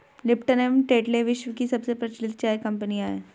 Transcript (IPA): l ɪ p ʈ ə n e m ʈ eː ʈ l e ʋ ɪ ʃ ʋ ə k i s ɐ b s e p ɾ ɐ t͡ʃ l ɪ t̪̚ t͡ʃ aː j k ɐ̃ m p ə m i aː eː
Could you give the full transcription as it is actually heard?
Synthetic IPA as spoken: l ɪ p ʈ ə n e m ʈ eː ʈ l e ʋ ɪ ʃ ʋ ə k i s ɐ b s e p ɾ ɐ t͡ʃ l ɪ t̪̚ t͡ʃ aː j k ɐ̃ m p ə n i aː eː